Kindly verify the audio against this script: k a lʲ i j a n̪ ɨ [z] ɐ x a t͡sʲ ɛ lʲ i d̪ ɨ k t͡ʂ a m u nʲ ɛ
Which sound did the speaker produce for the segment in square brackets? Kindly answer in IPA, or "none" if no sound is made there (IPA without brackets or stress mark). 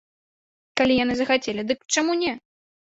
z